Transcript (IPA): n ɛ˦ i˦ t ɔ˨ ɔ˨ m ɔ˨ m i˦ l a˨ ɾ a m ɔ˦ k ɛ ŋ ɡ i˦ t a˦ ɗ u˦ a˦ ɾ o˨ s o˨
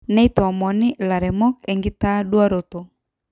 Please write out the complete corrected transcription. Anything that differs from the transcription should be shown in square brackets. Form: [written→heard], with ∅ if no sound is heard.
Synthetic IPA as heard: n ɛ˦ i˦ t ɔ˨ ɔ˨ m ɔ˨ [m→n] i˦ l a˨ ɾ [a→ɛ] m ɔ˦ k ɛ ŋ ɡ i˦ t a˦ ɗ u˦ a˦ ɾ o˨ [s→t] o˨